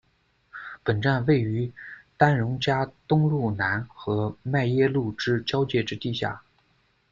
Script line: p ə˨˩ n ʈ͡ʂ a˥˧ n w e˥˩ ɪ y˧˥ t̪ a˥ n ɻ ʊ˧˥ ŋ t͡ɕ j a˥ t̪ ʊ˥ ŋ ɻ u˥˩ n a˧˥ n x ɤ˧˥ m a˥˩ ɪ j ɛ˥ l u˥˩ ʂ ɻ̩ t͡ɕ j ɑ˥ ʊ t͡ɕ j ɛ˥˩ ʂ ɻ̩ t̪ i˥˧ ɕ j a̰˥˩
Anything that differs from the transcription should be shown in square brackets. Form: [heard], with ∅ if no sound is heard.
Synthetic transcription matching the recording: p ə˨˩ n ʈ͡ʂ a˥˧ n w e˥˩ ɪ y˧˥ t̪ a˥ n ɻ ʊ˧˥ ŋ t͡ɕ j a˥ t̪ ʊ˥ ŋ ɻ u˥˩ n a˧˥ n x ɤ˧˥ m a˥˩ ɪ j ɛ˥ l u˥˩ [ʈ͡ʂ] ɻ̩ t͡ɕ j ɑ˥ ʊ t͡ɕ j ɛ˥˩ [ʈ͡ʂ] ɻ̩ t̪ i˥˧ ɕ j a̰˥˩

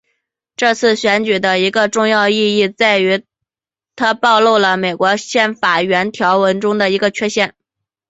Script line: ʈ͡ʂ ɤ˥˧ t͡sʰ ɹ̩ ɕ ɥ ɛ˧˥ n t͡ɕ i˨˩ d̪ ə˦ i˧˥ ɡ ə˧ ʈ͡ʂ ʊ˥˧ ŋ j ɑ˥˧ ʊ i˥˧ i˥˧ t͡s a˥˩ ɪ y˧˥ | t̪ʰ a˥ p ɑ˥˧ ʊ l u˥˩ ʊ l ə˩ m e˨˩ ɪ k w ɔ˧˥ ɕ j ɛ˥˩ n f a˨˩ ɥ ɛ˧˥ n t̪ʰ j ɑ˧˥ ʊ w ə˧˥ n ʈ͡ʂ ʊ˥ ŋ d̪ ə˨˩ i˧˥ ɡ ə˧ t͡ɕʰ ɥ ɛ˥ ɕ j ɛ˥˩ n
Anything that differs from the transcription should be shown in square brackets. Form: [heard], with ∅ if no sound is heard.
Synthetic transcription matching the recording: ʈ͡ʂ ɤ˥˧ t͡sʰ ɹ̩ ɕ ɥ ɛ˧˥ n t͡ɕ [y˨˩] d̪ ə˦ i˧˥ ɡ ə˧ ʈ͡ʂ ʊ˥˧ ŋ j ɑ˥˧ ʊ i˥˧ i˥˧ t͡s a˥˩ ɪ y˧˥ | t̪ʰ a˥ p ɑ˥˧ ʊ l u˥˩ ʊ l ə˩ m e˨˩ ɪ k w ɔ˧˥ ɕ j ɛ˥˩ n f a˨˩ ɥ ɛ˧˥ n t̪ʰ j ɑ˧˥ ʊ w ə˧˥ n ʈ͡ʂ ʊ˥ ŋ d̪ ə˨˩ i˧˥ ɡ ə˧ t͡ɕʰ ɥ ɛ˥ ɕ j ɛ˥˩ n

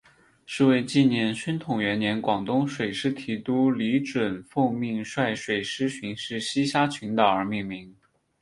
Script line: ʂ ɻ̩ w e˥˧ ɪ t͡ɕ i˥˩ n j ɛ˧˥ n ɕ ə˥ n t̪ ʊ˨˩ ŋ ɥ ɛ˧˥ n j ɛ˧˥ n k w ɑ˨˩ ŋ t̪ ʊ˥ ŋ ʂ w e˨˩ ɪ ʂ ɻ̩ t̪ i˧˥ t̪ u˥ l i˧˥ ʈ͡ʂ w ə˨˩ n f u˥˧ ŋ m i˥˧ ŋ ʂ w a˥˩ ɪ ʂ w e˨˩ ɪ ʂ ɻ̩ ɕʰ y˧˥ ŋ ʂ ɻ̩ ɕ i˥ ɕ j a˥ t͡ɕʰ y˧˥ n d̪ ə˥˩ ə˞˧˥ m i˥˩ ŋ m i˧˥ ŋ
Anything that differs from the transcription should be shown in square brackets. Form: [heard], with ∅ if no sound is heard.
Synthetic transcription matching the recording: ʂ ɻ̩ w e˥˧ ɪ t͡ɕ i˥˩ n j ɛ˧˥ n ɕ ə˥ n [t̪ʰ] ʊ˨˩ ŋ ɥ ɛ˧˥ n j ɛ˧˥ n k w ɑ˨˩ ŋ t̪ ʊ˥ ŋ ʂ w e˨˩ ɪ ʂ ɻ̩ [t̪ʰ] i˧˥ t̪ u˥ l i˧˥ ʈ͡ʂ w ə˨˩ n f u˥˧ ŋ m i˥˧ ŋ ʂ w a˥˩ ɪ ʂ w e˨˩ ɪ ʂ ɻ̩ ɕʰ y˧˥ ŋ ʂ ɻ̩ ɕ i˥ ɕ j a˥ t͡ɕʰ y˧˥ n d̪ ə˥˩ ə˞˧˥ m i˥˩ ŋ m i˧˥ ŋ

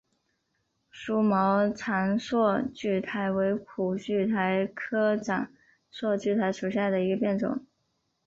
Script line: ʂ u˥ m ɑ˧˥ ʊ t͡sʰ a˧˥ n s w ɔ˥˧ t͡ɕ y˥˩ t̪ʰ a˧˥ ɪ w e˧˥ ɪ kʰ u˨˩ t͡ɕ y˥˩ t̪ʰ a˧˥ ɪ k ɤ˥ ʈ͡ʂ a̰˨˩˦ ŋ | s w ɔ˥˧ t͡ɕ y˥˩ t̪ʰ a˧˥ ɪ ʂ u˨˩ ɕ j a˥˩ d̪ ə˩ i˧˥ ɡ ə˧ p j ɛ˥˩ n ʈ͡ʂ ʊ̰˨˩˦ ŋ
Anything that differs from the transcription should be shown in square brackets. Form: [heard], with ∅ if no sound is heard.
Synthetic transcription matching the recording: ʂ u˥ m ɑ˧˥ ʊ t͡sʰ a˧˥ n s w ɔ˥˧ t͡ɕ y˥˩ t̪ʰ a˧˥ ɪ w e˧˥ ɪ kʰ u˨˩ t͡ɕ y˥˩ t̪ʰ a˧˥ ɪ [kʰ] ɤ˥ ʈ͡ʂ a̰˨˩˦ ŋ | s w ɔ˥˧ t͡ɕ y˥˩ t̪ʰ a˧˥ ɪ ʂ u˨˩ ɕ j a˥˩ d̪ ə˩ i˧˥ ɡ ə˧ p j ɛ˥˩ n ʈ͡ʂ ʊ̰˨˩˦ ŋ

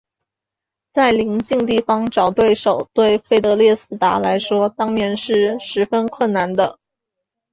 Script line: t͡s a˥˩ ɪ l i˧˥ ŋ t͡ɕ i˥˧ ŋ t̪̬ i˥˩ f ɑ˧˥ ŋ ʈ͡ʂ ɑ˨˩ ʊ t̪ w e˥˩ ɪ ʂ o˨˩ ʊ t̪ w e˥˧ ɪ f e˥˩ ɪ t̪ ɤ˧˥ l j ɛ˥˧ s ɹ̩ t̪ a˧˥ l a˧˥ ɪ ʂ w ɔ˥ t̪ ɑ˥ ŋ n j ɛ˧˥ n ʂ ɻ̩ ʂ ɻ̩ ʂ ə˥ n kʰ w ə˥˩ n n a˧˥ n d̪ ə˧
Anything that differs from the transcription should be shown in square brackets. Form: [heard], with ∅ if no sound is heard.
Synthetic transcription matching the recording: t͡s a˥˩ ɪ l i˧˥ ŋ t͡ɕ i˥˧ ŋ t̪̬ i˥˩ f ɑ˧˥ ŋ ʈ͡ʂ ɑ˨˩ ʊ t̪ w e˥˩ ɪ ʂ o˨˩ ʊ t̪ w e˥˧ ɪ f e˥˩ ɪ t̪ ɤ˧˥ l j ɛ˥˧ s ɹ̩ t̪ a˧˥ l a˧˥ ɪ ʂ w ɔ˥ t̪ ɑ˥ ŋ n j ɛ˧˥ n ʂ ɻ̩ ʂ ɻ̩ [f] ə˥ n kʰ w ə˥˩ n n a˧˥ n d̪ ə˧

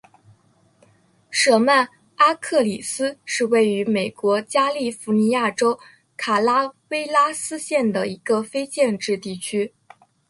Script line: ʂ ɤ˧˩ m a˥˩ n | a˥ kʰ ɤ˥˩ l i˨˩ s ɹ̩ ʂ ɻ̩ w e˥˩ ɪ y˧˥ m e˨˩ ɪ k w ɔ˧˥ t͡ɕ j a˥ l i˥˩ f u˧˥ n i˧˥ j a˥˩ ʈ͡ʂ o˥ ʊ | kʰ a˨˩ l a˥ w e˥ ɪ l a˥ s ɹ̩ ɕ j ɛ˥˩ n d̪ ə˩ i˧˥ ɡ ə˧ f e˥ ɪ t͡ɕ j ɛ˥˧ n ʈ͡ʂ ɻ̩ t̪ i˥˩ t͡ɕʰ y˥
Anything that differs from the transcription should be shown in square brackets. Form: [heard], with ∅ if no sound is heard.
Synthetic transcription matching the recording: ʂ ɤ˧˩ m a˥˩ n | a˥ kʰ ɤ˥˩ l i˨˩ s ɹ̩ ʂ ɻ̩ w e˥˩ ɪ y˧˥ m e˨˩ ɪ k w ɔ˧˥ t͡ɕ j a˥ l i˥˩ f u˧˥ n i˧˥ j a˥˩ ʈ͡ʂ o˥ ʊ | kʰ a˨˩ l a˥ w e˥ ɪ l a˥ s ɹ̩ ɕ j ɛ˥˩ n d̪ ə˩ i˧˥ ɡ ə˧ f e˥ ɪ t͡ɕ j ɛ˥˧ n ʈ͡ʂ ɻ̩ t̪ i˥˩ t͡ɕʰ y˥

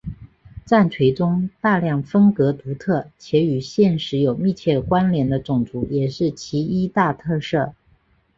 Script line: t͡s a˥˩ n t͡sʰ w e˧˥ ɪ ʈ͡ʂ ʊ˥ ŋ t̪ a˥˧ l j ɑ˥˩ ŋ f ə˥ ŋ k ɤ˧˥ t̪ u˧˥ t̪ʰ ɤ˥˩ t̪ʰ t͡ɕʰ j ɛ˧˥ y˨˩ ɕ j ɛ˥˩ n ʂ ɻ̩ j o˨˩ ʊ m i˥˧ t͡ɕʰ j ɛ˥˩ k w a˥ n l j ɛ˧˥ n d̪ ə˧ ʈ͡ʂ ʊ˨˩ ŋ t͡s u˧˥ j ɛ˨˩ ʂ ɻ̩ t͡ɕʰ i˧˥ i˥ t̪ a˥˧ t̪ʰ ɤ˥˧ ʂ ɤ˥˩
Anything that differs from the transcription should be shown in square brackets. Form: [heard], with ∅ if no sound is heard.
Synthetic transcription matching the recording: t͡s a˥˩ n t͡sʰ w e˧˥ ɪ ʈ͡ʂ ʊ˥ ŋ t̪ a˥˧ l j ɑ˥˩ ŋ f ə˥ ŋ k ɤ˧˥ t̪ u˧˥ t̪ʰ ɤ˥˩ [∅] t͡ɕʰ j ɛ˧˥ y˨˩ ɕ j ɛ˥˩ n ʂ ɻ̩ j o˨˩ ʊ m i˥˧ t͡ɕʰ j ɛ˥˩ k w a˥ n l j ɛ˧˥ n d̪ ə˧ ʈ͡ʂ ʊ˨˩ ŋ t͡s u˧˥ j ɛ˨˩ ʂ ɻ̩ t͡ɕʰ i˧˥ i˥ t̪ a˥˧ t̪ʰ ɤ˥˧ ʂ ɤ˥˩

